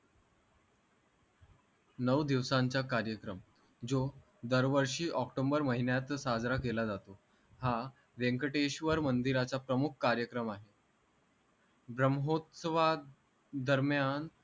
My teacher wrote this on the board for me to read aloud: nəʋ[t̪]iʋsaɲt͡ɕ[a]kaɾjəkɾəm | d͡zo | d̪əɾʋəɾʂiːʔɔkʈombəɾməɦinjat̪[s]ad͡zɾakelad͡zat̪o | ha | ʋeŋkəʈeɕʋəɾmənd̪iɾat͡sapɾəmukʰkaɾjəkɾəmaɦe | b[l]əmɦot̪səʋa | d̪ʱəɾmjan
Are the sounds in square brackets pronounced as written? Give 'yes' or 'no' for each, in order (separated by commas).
no, yes, yes, no